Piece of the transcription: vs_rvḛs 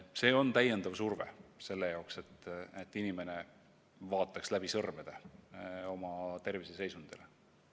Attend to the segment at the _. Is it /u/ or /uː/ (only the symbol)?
u